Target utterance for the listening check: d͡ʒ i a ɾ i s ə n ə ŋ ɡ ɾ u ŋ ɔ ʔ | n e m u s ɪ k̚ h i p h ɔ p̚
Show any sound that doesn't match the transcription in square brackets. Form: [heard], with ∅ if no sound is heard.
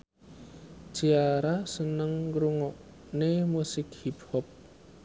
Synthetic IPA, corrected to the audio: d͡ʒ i a ɾ [a] s ə n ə ŋ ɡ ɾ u ŋ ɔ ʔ | n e m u s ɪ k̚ h i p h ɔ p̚